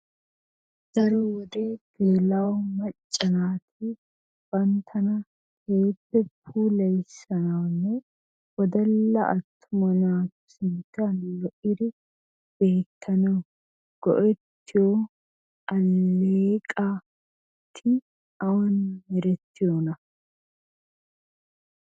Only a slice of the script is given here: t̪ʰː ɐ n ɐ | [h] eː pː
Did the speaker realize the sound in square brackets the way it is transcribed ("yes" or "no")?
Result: yes